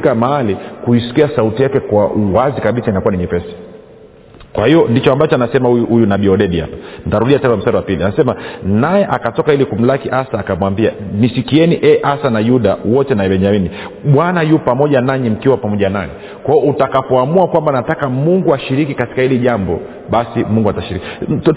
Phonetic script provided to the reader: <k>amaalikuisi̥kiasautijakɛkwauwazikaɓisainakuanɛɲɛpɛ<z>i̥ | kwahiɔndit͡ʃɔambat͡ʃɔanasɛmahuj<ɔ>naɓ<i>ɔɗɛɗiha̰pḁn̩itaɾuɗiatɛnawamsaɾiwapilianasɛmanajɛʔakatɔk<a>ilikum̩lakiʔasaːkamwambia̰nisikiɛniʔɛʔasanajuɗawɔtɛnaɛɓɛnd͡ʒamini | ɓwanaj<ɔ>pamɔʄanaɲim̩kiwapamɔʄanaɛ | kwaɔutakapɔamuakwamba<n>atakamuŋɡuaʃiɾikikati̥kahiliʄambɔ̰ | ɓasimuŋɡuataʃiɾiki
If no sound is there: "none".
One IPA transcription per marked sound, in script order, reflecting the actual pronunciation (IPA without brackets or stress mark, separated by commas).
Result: k, s, u, i, a, u, n